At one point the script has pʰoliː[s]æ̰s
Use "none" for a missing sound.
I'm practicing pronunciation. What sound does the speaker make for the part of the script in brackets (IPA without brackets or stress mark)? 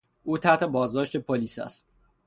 s